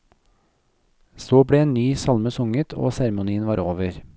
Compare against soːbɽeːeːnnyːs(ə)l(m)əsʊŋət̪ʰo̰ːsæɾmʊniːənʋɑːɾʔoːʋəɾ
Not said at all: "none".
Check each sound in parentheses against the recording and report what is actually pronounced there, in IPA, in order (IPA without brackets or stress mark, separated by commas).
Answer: ɑ, m